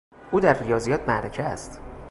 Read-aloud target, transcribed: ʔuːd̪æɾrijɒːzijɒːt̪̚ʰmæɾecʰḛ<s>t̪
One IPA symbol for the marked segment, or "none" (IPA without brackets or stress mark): s